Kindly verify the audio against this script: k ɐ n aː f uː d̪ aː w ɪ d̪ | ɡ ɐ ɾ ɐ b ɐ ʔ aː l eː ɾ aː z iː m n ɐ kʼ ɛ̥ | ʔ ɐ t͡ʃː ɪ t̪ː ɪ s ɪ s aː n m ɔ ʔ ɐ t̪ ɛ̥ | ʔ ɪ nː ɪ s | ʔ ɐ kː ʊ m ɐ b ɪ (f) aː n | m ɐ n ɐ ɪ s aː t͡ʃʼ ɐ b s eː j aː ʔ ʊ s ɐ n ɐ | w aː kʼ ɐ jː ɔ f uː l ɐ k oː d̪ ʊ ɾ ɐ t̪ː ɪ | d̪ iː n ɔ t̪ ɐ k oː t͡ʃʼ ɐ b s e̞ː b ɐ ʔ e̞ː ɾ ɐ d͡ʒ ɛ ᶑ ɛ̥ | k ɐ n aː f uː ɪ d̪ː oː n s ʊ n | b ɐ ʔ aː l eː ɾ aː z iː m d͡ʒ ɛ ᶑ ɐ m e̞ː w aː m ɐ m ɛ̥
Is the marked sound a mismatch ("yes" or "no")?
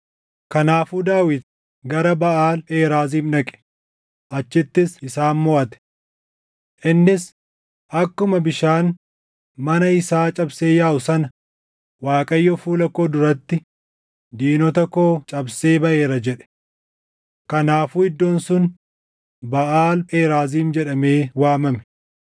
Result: yes